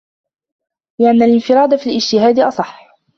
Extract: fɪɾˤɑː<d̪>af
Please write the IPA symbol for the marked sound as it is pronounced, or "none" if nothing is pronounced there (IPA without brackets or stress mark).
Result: d̪